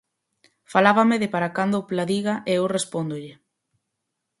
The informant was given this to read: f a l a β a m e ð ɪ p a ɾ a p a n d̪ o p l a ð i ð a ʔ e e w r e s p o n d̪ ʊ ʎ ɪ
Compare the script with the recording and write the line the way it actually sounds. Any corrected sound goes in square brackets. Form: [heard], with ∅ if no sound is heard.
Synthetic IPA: f a l a β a m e ð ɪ p a ɾ a [k] a n d̪ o p l a ð i [ɣ] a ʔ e e w r e s p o n d̪ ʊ ʎ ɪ

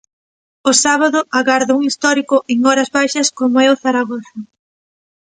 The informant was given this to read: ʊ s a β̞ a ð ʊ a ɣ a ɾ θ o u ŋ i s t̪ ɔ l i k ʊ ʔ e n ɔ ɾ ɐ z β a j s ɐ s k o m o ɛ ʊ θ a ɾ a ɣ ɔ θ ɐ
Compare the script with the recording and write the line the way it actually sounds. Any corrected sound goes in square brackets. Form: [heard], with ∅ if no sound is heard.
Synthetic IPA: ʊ s a β̞ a ð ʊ a ɣ a ɾ [ð] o u ŋ i s t̪ ɔ [ɾ] i k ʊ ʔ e [ŋ] ɔ ɾ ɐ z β a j [ʃ] ɐ s k o m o ɛ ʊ θ a ɾ a ɣ ɔ θ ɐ

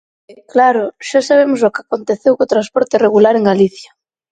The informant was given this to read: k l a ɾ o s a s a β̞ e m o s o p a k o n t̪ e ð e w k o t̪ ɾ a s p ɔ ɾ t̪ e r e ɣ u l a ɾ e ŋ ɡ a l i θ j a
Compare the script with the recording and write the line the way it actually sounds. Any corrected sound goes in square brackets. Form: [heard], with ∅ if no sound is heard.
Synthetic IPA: k l a ɾ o [ʃ] a s a β̞ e m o s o [k] a k o n t̪ e [θ] e w k o t̪ ɾ a s p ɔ ɾ t̪ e r e ɣ u l a ɾ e ŋ ɡ a l i θ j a

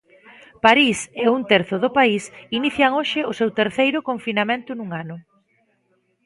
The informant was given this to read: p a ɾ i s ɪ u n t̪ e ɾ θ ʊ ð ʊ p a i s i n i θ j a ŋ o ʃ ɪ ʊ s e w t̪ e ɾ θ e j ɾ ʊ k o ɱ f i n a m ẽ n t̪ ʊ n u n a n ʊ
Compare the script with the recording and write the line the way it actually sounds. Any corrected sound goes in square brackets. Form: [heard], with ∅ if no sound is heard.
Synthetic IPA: p a ɾ i s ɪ u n t̪ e ɾ θ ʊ ð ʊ p a i s i n i θ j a ŋ o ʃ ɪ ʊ s e w t̪ e ɾ θ e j ɾ ʊ k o ɱ f i n a m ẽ n t̪ ʊ n u [ŋ] a n ʊ

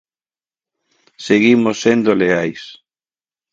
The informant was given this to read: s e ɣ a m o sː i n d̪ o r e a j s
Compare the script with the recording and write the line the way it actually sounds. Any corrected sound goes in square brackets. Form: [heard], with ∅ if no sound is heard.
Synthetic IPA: s e ɣ [i] m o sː [e] n d̪ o [l] e a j s

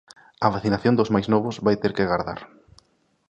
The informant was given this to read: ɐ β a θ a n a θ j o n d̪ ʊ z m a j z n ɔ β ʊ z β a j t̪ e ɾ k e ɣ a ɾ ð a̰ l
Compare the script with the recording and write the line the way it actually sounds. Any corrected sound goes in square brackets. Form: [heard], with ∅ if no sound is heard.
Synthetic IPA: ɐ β a θ [i] n a θ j o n d̪ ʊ z m a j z n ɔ β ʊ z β a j t̪ e ɾ k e ɣ a ɾ ð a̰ [ɾ]

